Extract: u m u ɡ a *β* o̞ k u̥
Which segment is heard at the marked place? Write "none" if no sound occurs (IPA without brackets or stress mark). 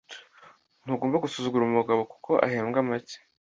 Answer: β